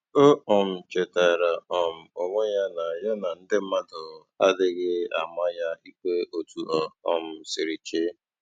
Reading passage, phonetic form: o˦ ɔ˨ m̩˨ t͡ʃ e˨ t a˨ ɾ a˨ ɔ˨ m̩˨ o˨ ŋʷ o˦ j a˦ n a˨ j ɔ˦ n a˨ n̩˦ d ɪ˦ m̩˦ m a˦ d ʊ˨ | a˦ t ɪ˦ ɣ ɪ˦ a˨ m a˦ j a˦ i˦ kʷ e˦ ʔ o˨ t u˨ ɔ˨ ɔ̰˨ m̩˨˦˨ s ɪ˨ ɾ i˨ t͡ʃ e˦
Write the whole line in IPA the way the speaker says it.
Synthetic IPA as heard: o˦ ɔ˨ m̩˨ t͡ʃ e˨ t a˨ ɾ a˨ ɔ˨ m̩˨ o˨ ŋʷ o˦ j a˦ n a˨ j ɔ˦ n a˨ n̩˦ d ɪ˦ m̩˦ m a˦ d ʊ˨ | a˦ d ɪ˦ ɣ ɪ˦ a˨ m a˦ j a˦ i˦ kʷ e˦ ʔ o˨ t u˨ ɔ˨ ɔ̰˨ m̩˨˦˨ s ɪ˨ ɾ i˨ t͡ʃ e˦